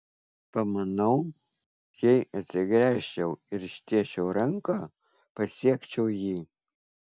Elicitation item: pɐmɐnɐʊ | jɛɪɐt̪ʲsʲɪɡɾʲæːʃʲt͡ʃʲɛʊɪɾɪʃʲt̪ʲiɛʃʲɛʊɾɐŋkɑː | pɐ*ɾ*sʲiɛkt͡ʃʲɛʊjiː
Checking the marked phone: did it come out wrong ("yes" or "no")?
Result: yes